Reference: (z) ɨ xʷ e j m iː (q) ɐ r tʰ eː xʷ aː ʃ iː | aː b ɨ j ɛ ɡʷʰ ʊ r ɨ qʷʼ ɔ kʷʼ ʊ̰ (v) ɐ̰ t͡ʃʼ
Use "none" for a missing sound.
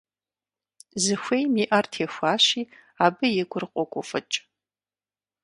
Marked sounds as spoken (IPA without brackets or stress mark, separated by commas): z, ʔ, f